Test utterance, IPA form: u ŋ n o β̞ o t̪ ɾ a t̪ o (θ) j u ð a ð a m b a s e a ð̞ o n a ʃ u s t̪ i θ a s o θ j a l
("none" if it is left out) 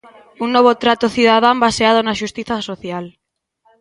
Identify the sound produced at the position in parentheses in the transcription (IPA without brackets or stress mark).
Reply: θ